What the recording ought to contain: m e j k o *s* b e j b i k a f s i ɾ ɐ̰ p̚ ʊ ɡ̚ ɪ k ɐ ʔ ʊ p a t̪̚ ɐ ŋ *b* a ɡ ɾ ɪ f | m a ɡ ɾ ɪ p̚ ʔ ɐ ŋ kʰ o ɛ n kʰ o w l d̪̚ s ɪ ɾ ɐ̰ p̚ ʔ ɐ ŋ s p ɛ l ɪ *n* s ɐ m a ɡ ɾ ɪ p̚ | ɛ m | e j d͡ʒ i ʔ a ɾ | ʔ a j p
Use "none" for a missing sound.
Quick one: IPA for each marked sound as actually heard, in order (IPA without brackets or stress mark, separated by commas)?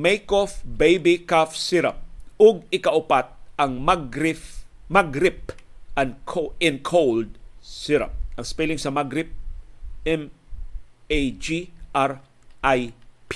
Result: f, m, ŋ